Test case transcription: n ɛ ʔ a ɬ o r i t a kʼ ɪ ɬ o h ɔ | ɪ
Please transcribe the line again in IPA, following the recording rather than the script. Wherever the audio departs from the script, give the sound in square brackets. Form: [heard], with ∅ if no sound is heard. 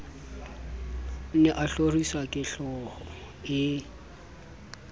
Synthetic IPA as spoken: n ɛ ʔ a ɬ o r i [s] a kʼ ɪ ɬ [ɔ] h ɔ | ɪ